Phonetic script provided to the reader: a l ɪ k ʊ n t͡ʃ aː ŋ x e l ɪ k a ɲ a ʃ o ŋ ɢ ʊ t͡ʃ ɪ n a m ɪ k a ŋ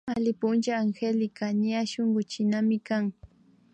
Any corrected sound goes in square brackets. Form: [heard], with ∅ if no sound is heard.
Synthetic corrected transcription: a l ɪ [p] ʊ n t͡ʃ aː ŋ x e l ɪ k a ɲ a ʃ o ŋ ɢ ʊ t͡ʃ ɪ n a m ɪ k a ŋ

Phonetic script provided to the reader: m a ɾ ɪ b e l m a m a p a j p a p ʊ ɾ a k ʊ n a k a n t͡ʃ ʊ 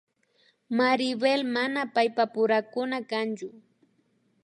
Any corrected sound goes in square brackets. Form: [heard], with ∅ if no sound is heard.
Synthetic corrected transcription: m a ɾ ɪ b e l m a [n] a p a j p a p ʊ ɾ a k ʊ n a k a n t͡ʃ ʊ

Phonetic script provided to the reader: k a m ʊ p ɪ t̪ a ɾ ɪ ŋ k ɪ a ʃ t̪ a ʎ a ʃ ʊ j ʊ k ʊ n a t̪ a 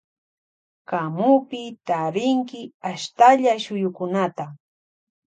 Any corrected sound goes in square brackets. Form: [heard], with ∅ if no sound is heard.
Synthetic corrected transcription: k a m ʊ p ɪ t̪ a ɾ ɪ ŋ k ɪ a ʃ t̪ a ʎ a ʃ ʊ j ʊ k ʊ n a t̪ a

